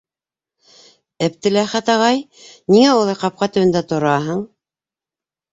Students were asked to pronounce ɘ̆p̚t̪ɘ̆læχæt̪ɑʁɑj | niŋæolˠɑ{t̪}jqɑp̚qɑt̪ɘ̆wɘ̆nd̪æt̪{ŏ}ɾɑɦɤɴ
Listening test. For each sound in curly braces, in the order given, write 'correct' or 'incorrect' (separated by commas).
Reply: incorrect, correct